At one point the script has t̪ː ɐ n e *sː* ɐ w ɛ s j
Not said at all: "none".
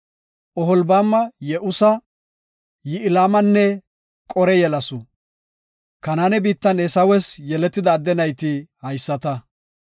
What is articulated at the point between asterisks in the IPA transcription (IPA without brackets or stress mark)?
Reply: s